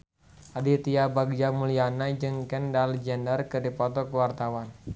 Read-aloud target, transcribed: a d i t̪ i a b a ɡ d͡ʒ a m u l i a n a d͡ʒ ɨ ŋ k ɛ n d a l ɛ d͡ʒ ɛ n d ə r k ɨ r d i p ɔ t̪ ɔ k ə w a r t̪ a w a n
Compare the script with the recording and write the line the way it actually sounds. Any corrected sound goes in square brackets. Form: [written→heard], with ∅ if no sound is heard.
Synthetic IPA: a d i t̪ i a b a ɡ d͡ʒ a m u l i a n a d͡ʒ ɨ ŋ k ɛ n d a l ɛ d͡ʒ ɛ n d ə r k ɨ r d i p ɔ t̪ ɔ k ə w a r t̪ a w a n